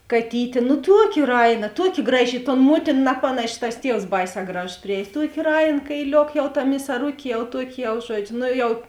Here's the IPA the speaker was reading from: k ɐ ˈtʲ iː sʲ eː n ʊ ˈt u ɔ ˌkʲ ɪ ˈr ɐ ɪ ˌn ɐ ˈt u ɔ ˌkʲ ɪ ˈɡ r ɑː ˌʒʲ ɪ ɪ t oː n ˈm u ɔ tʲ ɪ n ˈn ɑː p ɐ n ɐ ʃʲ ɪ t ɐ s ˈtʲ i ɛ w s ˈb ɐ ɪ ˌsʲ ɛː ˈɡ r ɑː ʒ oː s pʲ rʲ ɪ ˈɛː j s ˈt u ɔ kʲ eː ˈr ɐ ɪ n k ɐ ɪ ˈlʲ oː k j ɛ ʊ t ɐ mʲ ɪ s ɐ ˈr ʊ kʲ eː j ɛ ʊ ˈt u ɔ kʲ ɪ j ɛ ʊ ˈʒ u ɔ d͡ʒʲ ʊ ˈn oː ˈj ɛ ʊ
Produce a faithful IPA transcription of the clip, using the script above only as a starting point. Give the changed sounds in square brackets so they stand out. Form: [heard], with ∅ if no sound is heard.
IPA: k ɐ ˈtʲ iː [tʲ] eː n ʊ ˈt u ɔ ˌkʲ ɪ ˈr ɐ ɪ ˌn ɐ ˈt u ɔ ˌkʲ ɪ ˈɡ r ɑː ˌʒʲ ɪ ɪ t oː n ˈm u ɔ tʲ ɪ n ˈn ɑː p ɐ n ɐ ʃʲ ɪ t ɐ s ˈtʲ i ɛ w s ˈb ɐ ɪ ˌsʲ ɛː ˈɡ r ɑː ʒ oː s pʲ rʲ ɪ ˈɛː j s ˈt u ɔ kʲ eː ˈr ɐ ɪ n k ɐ ɪ ˈlʲ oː k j ɛ ʊ t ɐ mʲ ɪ s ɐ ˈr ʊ kʲ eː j ɛ ʊ ˈt u ɔ kʲ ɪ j ɛ ʊ ˈʒ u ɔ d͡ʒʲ ʊ ˈn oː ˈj ɛ ʊ